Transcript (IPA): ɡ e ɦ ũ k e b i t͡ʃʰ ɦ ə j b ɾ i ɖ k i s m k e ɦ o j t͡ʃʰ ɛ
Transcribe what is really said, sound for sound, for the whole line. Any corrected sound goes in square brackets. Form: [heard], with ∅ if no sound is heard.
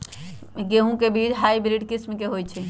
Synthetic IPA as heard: ɡ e ɦ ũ k e b i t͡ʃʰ ɦ [a] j b ɾ i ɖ k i s m k e ɦ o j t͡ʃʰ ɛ